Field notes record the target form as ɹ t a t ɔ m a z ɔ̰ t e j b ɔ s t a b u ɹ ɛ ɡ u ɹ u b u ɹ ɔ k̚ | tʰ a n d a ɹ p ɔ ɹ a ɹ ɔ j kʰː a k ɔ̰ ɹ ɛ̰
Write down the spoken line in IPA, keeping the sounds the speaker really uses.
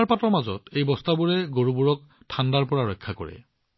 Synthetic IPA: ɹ p a t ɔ m a z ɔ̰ t e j b ɔ s t a b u ɹ ɛ ɡ o ɹ u b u ɹ ɔ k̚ | tʰ a n d a ɹ p ɔ ɹ a ɹ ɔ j kʰː a k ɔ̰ ɹ ɛ̰